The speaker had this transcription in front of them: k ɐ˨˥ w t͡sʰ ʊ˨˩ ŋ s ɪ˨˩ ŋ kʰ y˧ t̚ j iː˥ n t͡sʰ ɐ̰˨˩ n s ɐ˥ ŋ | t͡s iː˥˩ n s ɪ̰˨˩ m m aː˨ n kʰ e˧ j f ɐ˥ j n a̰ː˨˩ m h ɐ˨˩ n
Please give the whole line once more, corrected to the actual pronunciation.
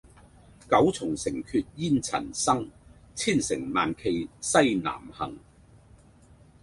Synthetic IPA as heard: k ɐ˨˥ w t͡sʰ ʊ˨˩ ŋ s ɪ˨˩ ŋ kʰ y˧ t̚ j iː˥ n t͡sʰ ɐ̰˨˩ n s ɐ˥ ŋ | t͡sʰ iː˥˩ n s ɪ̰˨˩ ŋ m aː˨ n kʰ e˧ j s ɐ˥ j n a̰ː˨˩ m h ɐ˨˩ ŋ